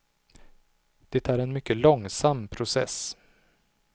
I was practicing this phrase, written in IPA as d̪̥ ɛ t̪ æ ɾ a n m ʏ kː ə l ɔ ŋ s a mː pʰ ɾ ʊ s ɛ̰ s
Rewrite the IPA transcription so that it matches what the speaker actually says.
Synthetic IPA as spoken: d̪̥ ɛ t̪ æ ɾ ɛ n m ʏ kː ə l ɔ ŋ s a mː pʰ ɾ ʊ s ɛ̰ s